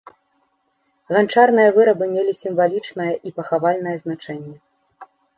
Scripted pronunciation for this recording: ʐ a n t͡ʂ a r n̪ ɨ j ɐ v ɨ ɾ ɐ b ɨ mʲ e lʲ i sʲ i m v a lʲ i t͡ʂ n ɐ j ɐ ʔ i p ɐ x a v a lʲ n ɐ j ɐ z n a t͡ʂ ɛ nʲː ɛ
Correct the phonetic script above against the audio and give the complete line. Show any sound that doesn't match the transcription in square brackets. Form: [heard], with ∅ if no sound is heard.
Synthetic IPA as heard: [ɣ] a n t͡ʂ a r n̪ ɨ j ɐ v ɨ ɾ ɐ b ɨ mʲ e lʲ i sʲ i m v a lʲ i t͡ʂ n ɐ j ɐ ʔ i p ɐ x a v a lʲ n ɐ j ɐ z n a t͡ʂ ɛ nʲː ɛ